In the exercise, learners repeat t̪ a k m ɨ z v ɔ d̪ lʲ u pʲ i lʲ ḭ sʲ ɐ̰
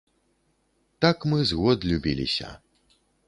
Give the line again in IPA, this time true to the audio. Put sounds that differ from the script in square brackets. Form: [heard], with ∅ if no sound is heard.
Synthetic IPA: t̪ a k m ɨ z [ɣ] ɔ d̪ lʲ u [bʲ] i lʲ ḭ sʲ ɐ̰